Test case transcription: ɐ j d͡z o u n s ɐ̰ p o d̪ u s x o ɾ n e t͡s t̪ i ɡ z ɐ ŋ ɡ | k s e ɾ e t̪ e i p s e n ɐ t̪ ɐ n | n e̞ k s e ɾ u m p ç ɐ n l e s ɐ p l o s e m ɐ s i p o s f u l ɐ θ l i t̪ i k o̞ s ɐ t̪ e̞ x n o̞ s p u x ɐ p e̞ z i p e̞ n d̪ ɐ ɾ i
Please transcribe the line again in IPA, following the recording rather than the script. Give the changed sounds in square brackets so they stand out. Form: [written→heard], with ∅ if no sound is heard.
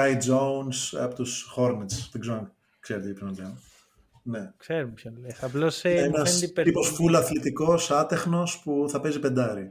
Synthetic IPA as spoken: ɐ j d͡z o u n s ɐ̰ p o [d̪→t̪] u s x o ɾ n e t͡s t̪ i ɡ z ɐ ŋ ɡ | k s e ɾ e t̪ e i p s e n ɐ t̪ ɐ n | n e̞ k s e ɾ u m p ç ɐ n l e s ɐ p l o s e [m→n] ɐ s i p o s f u l ɐ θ l i t̪ i k o̞ s ɐ t̪ e̞ x n o̞ s p u [x→θ] ɐ p e̞ z i p e̞ n d̪ ɐ ɾ i